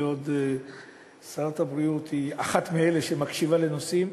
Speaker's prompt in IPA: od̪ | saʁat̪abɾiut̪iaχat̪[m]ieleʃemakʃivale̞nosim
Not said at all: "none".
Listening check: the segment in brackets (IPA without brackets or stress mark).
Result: m